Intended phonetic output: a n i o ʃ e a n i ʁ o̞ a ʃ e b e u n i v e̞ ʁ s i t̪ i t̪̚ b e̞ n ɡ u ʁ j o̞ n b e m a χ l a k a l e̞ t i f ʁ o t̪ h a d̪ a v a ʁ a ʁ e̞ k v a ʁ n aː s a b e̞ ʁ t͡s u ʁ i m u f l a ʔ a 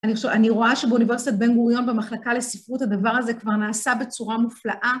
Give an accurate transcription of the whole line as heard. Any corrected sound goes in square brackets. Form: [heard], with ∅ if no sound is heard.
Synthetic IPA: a n i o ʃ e a n i ʁ o̞ a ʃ e b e u n i v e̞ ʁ s i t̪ [a] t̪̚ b e̞ n ɡ u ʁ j o̞ n b e m a χ l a k a l e̞ [s] i f ʁ [u] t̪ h a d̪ a v a ʁ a [z] e̞ k v a ʁ n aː s a b e̞ [∅] t͡s u ʁ [a] m u f l a ʔ a